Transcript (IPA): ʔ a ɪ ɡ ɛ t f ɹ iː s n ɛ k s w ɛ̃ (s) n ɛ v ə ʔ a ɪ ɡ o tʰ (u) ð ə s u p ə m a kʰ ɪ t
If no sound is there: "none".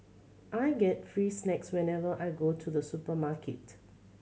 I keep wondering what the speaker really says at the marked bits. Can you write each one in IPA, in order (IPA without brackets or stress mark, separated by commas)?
none, u